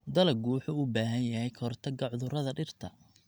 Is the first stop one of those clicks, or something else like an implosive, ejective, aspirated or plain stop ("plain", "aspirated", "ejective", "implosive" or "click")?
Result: plain